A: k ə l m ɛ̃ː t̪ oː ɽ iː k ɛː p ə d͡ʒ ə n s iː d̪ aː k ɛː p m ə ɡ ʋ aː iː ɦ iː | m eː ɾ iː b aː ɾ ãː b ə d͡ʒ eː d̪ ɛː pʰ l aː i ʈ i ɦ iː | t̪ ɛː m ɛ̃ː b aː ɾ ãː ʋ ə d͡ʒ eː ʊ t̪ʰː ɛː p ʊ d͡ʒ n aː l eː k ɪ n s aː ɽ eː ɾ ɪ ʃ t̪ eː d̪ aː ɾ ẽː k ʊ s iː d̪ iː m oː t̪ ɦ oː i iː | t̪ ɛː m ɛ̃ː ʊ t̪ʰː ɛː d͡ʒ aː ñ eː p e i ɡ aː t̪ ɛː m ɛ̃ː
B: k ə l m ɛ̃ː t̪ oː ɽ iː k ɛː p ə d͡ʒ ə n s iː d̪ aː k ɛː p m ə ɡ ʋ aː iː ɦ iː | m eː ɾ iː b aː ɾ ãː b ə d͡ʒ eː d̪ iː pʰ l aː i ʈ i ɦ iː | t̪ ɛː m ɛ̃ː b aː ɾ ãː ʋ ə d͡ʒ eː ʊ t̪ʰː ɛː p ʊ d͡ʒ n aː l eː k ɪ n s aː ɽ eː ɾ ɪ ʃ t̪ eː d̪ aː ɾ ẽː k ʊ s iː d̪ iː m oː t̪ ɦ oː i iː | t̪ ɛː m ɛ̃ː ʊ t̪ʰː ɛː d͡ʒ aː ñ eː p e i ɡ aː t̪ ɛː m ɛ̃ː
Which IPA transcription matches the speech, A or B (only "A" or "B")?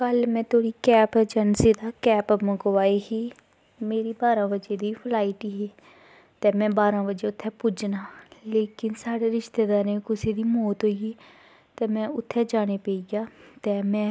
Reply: B